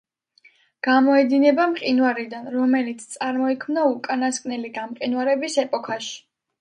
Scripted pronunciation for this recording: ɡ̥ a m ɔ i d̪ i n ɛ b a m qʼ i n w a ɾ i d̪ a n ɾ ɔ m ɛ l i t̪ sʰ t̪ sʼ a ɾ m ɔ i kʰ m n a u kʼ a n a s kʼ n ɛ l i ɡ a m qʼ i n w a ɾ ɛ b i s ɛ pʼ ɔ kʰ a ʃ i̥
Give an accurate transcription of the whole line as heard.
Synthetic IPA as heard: ɡ̥ a m ɔ ɛ d̪ i n ɛ b a m qʼ i n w a ɾ i d̪ a n ɾ ɔ m ɛ l i t̪ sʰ t̪ sʼ a ɾ m ɔ i kʰ m n a u kʼ a n a s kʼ n ɛ l i ɡ a m qʼ i n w a ɾ ɛ b i s ɛ pʼ ɔ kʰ a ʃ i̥